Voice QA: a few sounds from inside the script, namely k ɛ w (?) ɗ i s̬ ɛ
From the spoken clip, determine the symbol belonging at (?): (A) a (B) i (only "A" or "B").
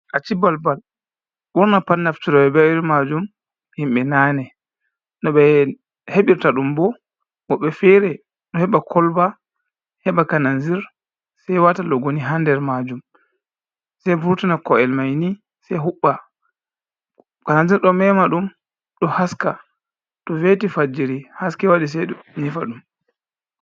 A